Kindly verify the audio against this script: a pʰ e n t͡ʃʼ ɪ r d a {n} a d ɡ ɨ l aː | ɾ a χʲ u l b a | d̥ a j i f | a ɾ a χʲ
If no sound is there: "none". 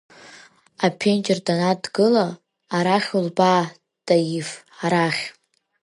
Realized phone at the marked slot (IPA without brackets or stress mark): n